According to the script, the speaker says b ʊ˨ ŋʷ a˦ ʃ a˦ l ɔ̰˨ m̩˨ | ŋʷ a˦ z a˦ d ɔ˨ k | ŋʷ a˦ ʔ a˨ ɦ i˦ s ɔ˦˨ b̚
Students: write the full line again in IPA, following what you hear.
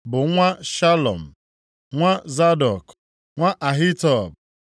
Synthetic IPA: b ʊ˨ ŋʷ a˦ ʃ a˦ l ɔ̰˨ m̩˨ | ŋʷ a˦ z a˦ d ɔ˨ k | ŋʷ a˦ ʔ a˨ ɦ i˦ t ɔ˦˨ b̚